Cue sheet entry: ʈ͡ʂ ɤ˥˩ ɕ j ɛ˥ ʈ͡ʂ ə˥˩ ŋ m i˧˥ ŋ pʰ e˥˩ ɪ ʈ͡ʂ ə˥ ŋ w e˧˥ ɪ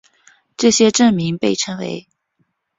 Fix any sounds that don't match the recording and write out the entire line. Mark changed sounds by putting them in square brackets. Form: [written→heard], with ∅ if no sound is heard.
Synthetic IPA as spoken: ʈ͡ʂ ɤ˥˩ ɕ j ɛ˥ ʈ͡ʂ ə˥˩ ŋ m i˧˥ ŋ [pʰ→p] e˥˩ ɪ [ʈ͡ʂ→ʈ͡ʂʰ] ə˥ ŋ w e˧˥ ɪ